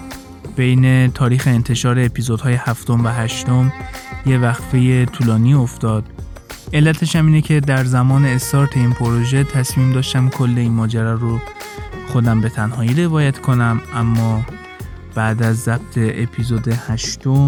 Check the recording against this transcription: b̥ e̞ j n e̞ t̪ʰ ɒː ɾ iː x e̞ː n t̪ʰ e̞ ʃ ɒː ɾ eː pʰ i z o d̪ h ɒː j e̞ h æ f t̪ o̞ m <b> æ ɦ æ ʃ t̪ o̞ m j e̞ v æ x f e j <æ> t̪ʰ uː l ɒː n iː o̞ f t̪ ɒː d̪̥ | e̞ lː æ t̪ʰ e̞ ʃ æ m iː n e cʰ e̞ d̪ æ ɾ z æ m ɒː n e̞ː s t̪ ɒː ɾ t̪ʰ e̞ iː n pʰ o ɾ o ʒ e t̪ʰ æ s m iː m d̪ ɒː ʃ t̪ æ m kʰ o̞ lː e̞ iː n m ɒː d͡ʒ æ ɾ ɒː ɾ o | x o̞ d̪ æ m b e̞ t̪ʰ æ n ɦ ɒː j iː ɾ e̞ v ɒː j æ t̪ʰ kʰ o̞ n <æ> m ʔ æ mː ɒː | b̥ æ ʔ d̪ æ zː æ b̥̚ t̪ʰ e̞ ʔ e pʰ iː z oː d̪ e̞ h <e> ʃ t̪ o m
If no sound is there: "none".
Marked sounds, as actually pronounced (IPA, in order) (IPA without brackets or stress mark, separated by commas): v, e, æ, æ